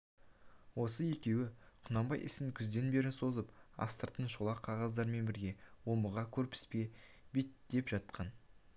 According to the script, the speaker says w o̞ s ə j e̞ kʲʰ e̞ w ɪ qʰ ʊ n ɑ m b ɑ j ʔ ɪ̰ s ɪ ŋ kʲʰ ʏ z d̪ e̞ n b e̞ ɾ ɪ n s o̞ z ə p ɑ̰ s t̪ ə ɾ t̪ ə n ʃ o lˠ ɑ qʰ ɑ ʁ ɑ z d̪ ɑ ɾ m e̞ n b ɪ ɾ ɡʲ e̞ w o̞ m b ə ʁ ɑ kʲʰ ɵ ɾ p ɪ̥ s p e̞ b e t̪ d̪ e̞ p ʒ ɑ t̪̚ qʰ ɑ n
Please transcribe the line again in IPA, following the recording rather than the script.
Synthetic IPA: w o̞ s ə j e̞ kʲ e̞ w ɪ qʰ ʊ n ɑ m b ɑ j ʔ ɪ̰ s ɪ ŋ kʲʰ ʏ z d̪ e̞ n b e̞ ɾ ɪ n s o̞ z ə p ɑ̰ s t̪ ə ɾ t̪ ə n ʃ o lˠ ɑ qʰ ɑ ʁ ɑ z d̪ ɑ ɾ m e̞ n b ɪ ɾ ɡʲ e̞ w o̞ m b ə ʁ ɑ kʲʰ ɵ ɾ p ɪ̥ s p e̞ b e t̪ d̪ e̞ p ʒ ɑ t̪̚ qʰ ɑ n